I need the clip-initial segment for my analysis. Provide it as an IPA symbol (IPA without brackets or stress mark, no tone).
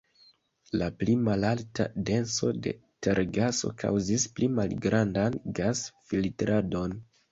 l